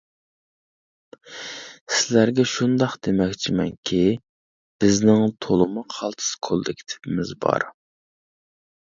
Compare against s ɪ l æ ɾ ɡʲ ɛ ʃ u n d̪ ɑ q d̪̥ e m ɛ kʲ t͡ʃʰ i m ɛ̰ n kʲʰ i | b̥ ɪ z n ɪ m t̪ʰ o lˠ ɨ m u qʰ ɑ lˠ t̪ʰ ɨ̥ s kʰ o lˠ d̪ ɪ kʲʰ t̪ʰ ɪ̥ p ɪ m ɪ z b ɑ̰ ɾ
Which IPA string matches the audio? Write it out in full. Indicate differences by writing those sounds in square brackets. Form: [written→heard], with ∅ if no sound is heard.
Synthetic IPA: s ɪ l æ ɾ ɡʲ ɛ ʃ u n d̪ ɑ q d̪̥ e m ɛ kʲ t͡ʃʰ i m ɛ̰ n kʲʰ i | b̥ ɪ z n ɪ [m→ŋ] t̪ʰ o lˠ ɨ m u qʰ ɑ lˠ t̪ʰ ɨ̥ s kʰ o lˠ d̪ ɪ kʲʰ t̪ʰ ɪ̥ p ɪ m ɪ z b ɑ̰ ɾ